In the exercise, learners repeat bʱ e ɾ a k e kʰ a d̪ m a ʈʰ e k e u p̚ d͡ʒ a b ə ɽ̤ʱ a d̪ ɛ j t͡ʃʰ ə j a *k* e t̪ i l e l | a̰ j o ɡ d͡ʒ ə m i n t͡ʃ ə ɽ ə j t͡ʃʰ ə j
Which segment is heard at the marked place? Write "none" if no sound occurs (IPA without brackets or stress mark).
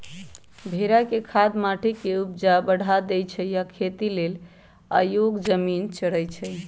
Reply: kʰ